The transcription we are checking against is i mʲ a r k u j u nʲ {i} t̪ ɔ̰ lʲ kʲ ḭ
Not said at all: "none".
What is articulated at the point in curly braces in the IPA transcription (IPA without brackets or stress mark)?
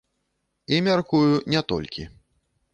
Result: ɛ